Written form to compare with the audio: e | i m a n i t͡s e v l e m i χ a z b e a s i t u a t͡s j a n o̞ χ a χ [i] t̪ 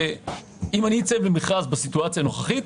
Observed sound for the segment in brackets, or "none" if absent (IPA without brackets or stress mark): i